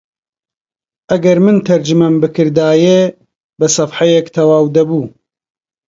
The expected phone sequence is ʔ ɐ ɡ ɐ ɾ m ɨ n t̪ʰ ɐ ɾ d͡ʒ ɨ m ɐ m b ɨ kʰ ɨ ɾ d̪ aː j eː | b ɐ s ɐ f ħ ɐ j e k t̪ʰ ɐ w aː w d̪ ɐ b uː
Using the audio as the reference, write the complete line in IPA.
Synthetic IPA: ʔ ɐ ɡ ɐ ɾ m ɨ n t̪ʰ ɐ ɾ d͡ʒ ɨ m ɐ m b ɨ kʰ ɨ ɾ d̪ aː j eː | b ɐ s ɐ f ħ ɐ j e k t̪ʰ ɐ w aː w d̪ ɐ b uː